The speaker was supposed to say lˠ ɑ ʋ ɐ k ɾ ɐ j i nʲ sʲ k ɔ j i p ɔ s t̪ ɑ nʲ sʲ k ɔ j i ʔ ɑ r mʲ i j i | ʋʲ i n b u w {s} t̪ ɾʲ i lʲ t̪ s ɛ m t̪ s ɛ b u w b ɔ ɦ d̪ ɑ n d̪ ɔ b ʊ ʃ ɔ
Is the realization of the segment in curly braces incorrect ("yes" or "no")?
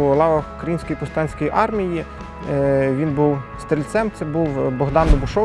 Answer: no